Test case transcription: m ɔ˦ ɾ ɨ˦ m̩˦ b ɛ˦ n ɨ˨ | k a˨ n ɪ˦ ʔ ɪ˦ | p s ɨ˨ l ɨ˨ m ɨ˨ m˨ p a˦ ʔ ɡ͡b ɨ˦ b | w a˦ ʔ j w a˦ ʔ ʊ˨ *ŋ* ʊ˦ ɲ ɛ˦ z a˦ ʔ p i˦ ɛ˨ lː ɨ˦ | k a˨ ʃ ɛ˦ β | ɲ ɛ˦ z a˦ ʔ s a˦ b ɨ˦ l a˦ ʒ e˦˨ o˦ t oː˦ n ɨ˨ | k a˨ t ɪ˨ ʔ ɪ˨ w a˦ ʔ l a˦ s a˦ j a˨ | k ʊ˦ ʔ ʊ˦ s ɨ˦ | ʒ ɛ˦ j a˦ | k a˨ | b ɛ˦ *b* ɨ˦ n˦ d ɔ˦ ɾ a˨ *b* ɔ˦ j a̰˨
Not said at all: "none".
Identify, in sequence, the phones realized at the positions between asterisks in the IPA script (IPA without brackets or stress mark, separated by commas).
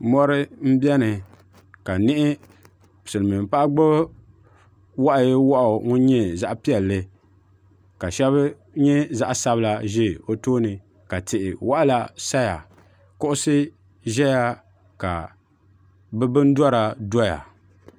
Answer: ŋ, b, d